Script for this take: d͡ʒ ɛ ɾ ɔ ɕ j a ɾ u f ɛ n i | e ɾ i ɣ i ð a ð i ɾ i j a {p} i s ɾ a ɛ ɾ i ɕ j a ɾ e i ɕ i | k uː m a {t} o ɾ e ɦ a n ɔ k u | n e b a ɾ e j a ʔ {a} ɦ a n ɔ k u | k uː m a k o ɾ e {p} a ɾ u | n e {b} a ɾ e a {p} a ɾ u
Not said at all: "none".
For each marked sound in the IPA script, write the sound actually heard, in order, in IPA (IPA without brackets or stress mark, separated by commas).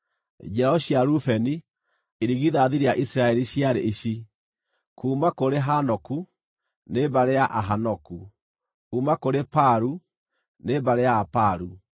ʔ, k, a, p, b, p